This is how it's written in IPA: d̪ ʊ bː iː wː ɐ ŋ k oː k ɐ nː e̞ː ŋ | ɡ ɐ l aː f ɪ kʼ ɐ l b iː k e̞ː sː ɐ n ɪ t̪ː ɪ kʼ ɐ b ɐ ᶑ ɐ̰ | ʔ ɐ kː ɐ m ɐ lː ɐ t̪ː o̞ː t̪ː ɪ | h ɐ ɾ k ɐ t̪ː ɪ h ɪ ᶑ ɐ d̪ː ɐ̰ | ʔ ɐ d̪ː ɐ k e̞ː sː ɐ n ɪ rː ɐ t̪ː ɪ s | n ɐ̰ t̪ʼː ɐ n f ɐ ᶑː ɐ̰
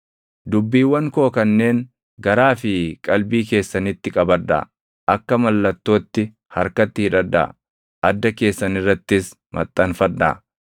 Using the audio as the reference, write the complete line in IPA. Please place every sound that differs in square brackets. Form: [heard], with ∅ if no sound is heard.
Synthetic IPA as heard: d̪ ʊ bː iː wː ɐ ŋ k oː k ɐ nː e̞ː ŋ | ɡ ɐ [ɾ] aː f ɪ kʼ ɐ l b iː k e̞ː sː ɐ n ɪ t̪ː ɪ kʼ ɐ b ɐ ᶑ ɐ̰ | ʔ ɐ kː ɐ m ɐ lː ɐ t̪ː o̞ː t̪ː ɪ | h ɐ ɾ k ɐ t̪ː ɪ h ɪ ᶑ ɐ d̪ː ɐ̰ | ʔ ɐ d̪ː ɐ k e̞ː sː ɐ n ɪ rː ɐ t̪ː ɪ s | [m] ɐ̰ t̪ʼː ɐ n f ɐ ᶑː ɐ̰